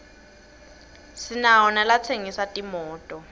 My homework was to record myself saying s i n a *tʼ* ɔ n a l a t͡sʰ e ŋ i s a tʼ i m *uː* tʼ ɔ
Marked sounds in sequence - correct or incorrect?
incorrect, incorrect

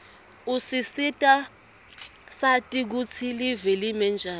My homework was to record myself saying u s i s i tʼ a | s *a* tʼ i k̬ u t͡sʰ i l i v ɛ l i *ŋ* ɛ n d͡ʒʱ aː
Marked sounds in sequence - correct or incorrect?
correct, incorrect

